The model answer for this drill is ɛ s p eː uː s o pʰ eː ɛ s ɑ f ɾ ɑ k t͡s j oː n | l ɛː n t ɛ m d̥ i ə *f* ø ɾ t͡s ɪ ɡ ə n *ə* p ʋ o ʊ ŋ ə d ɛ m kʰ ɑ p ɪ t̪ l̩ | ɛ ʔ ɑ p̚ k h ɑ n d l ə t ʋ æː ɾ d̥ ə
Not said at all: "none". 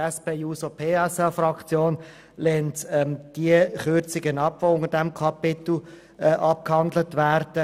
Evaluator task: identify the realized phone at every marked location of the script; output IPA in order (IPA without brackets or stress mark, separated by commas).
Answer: χ, ɑ